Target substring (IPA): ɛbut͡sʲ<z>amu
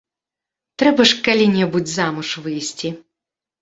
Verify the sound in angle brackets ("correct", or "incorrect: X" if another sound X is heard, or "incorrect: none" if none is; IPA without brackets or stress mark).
correct